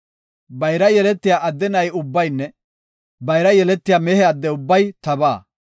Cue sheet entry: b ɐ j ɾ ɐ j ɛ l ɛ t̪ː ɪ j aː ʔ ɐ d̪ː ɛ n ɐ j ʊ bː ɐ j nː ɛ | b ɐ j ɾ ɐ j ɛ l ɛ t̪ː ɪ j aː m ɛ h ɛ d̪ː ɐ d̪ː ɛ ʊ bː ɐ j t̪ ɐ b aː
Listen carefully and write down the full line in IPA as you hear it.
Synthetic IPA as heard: b ɐ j ɾ ɐ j ɛ l ɛ t̪ː ɪ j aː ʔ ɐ d̪ː ɛ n ɐ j ʊ bː ɐ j nː ɛ | b ɐ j ɾ ɐ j ɛ l ɛ t̪ː ɪ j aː m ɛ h ɛ ɐ d̪ː ɛ ʊ bː ɐ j t̪ ɐ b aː